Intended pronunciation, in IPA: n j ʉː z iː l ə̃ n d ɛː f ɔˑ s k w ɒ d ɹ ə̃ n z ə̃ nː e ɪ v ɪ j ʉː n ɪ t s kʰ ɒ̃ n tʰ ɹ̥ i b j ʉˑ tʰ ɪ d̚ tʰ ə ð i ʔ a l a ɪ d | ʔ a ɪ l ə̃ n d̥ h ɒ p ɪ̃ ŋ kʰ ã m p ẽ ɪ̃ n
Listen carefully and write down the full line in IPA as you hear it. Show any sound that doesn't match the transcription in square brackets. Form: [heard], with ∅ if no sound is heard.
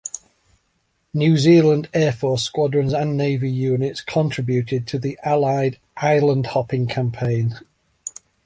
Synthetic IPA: n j ʉː z iː l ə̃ n d ɛː f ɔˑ s k w ɒ d ɹ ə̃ n z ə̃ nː e ɪ v ɪ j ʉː n ɪ t s kʰ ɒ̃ n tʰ ɹ̥ [ɪ] b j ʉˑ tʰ ɪ d̚ tʰ ə ð i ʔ a l a ɪ d | ʔ a ɪ l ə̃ n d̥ h ɒ p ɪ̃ ŋ kʰ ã m [pʰ] ẽ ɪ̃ n